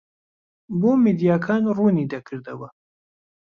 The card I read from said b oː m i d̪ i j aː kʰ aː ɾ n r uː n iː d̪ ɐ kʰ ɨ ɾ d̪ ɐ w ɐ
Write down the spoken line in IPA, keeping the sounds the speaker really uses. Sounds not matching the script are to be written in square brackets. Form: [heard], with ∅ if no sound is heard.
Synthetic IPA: b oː m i d̪ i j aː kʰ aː [∅] n r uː n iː d̪ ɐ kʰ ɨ ɾ d̪ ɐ w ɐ